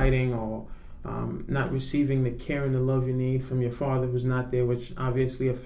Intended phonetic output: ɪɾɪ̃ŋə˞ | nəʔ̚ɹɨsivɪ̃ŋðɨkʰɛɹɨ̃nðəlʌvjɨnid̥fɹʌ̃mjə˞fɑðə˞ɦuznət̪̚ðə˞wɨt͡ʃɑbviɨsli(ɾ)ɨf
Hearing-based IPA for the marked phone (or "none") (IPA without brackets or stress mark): none